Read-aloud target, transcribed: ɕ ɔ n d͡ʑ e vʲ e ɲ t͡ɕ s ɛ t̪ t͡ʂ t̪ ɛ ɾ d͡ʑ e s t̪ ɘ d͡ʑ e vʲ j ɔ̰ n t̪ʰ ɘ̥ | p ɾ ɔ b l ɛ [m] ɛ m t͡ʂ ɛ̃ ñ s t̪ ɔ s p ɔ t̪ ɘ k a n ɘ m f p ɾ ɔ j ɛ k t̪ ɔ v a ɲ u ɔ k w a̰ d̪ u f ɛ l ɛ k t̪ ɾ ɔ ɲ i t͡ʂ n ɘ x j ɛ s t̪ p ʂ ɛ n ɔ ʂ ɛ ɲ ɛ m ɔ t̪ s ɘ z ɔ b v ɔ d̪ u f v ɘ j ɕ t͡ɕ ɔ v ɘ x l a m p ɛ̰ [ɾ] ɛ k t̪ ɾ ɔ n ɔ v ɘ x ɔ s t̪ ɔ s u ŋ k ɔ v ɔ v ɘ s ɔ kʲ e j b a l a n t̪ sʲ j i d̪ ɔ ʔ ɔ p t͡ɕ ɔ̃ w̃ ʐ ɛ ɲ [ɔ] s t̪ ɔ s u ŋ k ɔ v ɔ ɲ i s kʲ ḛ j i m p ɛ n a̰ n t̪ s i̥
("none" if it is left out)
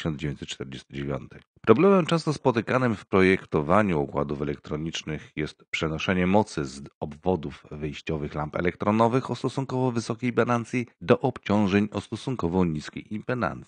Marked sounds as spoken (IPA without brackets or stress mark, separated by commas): m, l, ɔ